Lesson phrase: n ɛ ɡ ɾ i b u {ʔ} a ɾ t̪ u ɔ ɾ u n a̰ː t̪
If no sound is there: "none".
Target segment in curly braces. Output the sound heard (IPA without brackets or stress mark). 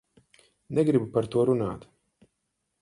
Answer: p